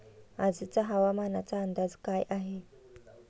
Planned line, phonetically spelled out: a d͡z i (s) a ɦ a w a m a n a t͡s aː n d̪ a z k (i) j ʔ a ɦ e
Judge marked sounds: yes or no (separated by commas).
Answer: no, no